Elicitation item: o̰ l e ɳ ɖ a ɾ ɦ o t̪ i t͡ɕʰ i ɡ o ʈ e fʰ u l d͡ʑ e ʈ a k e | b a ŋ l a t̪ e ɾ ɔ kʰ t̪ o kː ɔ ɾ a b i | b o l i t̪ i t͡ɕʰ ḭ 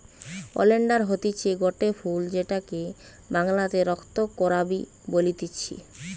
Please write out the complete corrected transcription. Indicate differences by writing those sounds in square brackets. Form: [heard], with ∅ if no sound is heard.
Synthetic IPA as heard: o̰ l e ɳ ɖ a ɾ ɦ o t̪ i t͡ɕʰ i ɡ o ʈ e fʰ u l d͡ʑ e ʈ a k e | b a ŋ l a t̪ e ɾ ɔ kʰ t̪ o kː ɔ ɾ a b i | b o l i t̪ i t͡ɕʰ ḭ